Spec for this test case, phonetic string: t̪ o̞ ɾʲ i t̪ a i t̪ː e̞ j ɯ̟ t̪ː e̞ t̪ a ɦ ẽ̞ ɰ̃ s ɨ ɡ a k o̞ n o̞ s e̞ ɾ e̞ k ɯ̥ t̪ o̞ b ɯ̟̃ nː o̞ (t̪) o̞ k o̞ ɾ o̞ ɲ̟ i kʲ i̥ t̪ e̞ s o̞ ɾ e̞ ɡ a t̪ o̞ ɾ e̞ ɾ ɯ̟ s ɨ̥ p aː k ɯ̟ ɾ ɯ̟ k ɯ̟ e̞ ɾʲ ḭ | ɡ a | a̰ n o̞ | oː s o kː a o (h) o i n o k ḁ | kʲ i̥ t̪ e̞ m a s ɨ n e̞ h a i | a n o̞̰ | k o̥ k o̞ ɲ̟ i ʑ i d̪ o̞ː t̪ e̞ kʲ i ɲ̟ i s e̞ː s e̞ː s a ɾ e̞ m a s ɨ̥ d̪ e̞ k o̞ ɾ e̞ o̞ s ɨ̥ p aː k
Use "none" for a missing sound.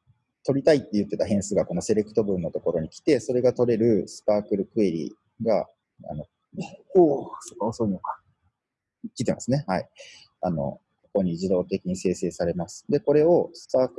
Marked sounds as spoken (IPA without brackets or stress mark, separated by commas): t̪, s